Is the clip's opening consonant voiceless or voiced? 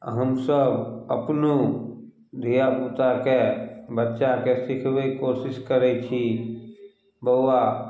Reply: voiced